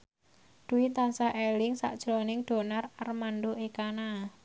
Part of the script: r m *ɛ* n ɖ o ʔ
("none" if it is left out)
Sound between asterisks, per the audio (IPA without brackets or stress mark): a